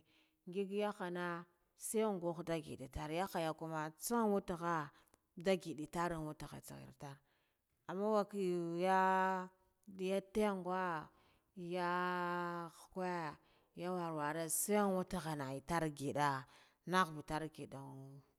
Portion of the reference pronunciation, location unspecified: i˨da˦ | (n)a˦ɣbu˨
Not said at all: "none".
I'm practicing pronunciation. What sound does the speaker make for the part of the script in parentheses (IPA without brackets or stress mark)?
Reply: n